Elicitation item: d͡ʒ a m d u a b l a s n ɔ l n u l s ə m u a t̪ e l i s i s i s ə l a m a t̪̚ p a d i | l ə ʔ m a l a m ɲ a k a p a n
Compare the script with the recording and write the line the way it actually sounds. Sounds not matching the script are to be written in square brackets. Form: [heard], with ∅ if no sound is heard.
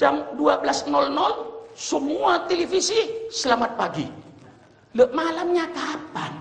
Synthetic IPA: d͡ʒ a m d u a b l a s n ɔ l n [ɔ] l s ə m u a t̪ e l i [f] i s i s ə l a m a t̪̚ p a [ɡ] i | l ə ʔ m a l a m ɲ a k a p a n